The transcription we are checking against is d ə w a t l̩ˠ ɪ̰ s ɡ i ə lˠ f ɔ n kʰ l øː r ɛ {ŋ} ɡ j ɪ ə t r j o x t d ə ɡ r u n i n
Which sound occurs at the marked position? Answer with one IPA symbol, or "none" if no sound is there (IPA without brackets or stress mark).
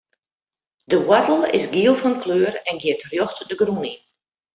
n